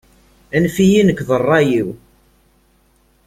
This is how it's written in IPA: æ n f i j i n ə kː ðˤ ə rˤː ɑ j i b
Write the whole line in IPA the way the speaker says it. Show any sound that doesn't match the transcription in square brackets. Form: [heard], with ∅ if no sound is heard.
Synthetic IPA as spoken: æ n f i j i n ə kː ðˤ ə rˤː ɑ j i [w]

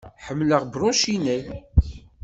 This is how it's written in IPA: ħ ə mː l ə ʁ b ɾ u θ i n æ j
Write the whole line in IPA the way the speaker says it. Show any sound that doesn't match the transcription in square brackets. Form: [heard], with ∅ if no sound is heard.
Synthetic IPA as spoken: ħ ə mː l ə ʁ b ɾ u [ʃ] i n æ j

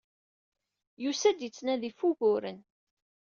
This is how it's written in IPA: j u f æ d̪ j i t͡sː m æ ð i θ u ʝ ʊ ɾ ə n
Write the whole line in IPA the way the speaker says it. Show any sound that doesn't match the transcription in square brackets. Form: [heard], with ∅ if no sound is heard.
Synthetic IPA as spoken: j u [s] æ d̪ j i t͡sː [n] æ ð i [f] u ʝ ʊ ɾ ə n

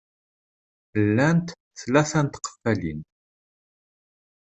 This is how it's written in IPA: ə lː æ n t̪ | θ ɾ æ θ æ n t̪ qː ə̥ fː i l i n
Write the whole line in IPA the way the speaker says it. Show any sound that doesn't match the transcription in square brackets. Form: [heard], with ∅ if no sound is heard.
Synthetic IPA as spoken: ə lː æ n t̪ | θ [l] æ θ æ n t̪ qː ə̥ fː [æ] l i n

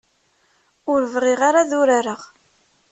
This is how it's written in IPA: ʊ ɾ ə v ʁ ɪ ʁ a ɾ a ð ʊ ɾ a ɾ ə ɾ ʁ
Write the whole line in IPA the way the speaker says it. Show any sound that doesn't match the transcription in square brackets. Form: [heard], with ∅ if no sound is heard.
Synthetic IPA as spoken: ʊ ɾ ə v ʁ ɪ ʁ a ɾ a ð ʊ ɾ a ɾ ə [∅] ʁ

